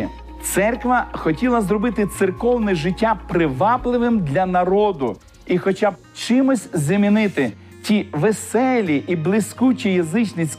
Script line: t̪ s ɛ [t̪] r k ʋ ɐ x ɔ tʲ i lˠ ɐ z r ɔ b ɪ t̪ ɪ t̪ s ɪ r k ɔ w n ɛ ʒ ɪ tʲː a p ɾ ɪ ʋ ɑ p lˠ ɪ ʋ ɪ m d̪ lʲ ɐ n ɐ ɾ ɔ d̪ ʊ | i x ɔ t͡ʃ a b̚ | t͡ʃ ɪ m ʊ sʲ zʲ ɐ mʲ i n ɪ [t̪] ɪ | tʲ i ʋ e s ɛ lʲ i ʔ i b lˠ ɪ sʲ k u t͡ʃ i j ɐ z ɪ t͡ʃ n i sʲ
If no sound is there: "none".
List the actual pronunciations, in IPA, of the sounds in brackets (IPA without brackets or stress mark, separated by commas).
none, t̪